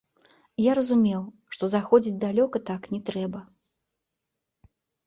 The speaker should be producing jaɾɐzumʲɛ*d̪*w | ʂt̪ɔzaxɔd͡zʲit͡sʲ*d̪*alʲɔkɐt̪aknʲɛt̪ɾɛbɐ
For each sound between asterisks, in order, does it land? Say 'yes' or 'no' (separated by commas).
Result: no, yes